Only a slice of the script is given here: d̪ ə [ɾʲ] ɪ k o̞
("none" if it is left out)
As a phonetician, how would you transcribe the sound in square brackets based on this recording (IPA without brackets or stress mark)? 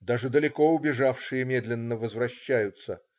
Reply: lʲ